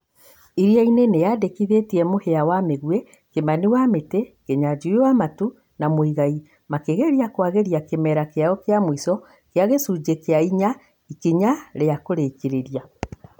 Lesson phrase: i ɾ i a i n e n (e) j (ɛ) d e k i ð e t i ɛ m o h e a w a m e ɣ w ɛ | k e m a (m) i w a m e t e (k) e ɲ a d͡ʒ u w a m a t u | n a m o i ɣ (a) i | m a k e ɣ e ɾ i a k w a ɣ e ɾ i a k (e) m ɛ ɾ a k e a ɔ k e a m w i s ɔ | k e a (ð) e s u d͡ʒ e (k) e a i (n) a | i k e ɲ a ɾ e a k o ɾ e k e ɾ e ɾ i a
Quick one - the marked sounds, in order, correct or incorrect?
correct, incorrect: a, incorrect: n, correct, correct, correct, incorrect: ɣ, correct, incorrect: ɲ

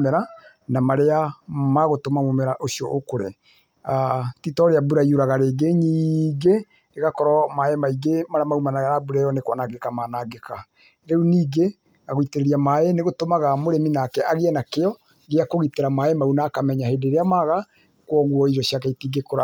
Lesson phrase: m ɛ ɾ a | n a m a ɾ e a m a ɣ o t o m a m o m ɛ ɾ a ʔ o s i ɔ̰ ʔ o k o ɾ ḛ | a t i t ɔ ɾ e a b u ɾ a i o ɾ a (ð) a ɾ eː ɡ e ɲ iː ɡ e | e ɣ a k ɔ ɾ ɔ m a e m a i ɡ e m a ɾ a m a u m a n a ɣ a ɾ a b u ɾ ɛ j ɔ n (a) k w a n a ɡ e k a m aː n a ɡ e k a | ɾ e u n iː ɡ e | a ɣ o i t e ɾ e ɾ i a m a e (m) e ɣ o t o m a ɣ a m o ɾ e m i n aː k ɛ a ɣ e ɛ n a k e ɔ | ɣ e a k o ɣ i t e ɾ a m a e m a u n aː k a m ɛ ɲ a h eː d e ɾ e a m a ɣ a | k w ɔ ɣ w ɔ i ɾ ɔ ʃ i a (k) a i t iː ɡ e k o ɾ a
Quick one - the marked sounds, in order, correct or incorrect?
incorrect: ɣ, incorrect: e, incorrect: n, correct

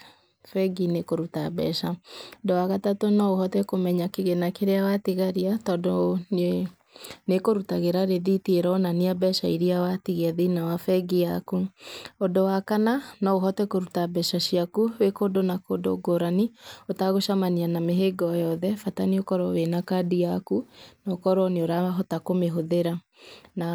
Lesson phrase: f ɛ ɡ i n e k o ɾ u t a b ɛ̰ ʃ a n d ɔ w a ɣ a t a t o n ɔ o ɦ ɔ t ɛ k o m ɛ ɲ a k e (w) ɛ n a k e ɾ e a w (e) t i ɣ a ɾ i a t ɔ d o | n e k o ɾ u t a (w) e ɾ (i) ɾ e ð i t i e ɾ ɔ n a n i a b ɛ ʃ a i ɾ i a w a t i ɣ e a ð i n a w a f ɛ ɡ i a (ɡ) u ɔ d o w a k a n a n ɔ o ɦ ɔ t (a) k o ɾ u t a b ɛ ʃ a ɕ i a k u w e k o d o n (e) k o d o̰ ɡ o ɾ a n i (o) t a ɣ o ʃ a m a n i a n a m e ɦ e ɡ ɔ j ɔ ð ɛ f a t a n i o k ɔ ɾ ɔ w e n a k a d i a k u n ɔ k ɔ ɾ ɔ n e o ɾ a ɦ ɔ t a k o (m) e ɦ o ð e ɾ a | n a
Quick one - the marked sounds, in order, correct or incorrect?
incorrect: ɣ, incorrect: a, incorrect: ɣ, incorrect: a, incorrect: k, incorrect: ɛ, incorrect: a, correct, correct

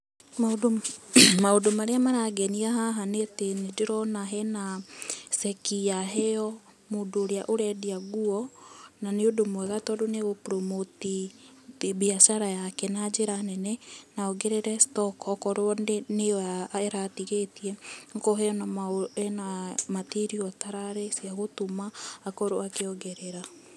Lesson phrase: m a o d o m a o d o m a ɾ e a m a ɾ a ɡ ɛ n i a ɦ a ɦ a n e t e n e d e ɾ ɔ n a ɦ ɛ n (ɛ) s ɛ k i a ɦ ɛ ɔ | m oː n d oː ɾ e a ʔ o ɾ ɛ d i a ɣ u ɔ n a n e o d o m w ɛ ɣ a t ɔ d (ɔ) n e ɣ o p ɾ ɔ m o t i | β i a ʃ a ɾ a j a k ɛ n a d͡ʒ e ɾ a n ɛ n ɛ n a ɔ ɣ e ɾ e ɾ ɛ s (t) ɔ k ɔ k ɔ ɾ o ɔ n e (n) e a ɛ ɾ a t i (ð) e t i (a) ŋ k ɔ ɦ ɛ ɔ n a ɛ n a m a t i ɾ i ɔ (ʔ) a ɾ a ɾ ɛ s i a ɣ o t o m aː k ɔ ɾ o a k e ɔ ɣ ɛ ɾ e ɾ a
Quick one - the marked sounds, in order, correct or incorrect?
incorrect: a, incorrect: o, correct, correct, incorrect: ɣ, incorrect: ɛ, incorrect: t

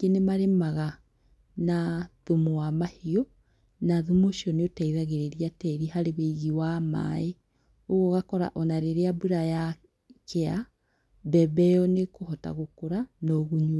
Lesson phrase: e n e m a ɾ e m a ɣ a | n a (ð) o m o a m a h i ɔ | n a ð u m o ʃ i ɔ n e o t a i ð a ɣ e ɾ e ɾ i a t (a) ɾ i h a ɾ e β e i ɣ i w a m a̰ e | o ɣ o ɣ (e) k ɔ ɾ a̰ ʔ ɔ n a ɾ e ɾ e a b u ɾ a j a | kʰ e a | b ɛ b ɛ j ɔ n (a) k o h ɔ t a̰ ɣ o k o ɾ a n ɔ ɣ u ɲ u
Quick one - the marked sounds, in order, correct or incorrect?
correct, incorrect: ɛ, incorrect: a, incorrect: e

